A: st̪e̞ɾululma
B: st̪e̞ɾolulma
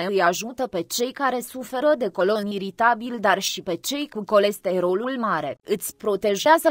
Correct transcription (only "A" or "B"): B